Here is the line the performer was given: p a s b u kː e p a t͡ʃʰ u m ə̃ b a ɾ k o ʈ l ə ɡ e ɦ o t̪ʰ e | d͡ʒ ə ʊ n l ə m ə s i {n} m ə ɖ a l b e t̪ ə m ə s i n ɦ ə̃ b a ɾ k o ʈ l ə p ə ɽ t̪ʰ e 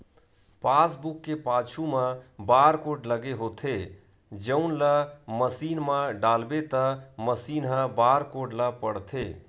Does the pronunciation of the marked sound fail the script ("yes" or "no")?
no